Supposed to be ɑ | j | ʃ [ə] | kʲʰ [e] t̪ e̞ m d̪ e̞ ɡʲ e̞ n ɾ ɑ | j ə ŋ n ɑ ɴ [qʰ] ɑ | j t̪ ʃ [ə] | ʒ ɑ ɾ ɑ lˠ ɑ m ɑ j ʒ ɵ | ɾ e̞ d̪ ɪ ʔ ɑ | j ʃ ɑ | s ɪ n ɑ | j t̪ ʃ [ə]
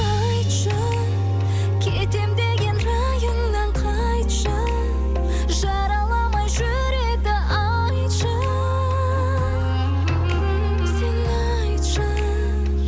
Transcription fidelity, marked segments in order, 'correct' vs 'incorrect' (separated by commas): incorrect, correct, correct, incorrect, incorrect